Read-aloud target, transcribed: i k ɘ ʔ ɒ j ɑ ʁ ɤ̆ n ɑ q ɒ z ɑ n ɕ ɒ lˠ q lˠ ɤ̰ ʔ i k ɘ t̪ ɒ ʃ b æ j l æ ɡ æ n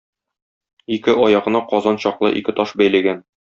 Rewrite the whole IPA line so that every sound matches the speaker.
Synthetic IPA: i k ɘ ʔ ɒ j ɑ ʁ ɤ̆ n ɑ q ɒ z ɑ n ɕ ɒ q lˠ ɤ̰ ʔ i k ɘ t̪ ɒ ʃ b æ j l æ ɡ æ n

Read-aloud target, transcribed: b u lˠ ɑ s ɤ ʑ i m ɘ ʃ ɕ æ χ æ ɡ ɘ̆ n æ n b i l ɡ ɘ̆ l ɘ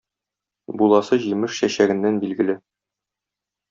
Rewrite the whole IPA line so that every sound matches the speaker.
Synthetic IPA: b u lˠ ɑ s ɤ ʑ i m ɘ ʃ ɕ æ ɕ æ ɡ ɘ̆ nː æ n b i l ɡ ɘ̆ l ɘ

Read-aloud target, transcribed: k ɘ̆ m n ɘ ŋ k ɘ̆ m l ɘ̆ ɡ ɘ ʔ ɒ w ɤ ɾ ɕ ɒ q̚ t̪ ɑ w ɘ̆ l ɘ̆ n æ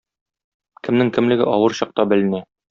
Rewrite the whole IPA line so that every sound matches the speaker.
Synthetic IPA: k ɘ̆ m n ɘ ŋ k ɘ̆ m l ɘ̆ ɡ ɘ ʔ ɒ w ɤ ɾ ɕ ɒ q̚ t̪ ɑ b ɘ̆ l ɘ̆ n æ

